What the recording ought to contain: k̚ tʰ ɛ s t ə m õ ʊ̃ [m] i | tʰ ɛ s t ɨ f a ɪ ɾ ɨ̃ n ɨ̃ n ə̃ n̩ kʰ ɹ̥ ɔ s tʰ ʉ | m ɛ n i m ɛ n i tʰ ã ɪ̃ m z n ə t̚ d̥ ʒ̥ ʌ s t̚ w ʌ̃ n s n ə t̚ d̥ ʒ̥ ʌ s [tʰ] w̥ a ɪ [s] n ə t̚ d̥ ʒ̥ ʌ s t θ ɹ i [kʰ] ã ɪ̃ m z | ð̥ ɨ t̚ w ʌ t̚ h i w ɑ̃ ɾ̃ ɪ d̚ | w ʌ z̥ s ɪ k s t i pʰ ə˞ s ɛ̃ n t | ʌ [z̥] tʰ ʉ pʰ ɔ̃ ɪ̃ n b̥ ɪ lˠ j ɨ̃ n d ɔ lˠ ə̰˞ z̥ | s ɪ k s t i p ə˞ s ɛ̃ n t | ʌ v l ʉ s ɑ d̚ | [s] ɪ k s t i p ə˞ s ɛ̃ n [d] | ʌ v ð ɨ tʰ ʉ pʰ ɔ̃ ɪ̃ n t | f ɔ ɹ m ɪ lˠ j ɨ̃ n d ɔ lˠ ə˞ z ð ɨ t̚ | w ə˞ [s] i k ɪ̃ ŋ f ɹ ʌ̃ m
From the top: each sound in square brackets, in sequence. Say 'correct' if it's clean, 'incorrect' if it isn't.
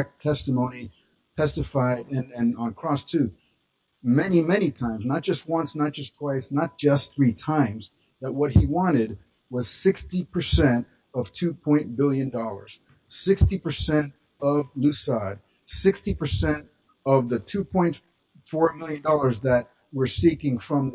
incorrect: n, correct, correct, incorrect: tʰ, incorrect: v̥, correct, incorrect: t, correct

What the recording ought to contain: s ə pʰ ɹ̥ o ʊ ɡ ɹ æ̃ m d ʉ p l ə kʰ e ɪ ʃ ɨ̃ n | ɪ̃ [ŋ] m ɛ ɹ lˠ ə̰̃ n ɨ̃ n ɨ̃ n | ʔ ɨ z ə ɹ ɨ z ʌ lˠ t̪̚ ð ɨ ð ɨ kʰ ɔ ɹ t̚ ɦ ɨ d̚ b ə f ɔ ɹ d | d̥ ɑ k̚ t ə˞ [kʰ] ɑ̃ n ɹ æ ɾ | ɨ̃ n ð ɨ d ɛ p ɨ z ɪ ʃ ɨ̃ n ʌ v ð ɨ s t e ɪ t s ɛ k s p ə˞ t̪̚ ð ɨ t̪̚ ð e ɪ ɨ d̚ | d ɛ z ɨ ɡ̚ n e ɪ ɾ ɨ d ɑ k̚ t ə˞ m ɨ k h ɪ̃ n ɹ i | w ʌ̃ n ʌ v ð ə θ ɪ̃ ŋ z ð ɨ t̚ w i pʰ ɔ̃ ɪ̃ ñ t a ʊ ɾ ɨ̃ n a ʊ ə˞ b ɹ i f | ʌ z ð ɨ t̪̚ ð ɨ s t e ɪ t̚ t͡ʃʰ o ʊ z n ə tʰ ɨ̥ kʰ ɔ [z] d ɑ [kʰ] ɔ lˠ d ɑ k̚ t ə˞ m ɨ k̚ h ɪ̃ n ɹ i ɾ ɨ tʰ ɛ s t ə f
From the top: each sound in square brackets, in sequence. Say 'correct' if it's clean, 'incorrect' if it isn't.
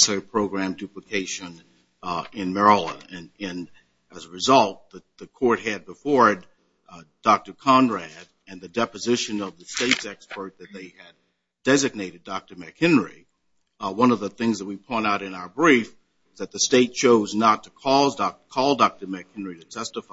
incorrect: n, correct, correct, correct

